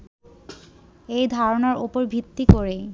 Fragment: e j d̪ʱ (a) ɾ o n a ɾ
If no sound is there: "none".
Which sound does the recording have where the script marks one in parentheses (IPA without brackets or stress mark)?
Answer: a